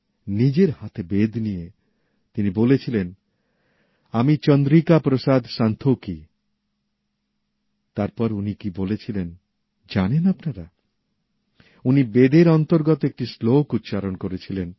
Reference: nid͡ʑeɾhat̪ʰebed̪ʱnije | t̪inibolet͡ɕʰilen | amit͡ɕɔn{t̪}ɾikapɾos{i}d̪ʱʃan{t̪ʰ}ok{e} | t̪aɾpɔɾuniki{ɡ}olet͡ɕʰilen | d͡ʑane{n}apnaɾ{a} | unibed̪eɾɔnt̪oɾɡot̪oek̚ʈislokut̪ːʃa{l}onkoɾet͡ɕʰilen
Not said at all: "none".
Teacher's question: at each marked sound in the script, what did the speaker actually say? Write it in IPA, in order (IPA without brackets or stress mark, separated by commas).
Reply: d̪, a, t̪ʰ, i, b, n, a, ɾ